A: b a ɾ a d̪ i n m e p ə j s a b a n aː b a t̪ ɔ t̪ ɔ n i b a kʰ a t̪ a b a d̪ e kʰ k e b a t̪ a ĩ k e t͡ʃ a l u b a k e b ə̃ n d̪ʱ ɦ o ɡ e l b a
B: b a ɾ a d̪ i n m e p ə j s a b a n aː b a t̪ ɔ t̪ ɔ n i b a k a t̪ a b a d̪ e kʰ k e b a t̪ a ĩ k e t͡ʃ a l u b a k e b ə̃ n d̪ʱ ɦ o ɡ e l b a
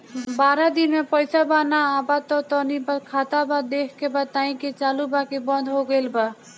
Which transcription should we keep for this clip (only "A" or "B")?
A